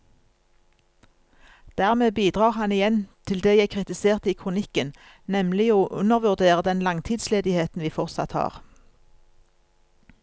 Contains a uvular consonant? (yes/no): yes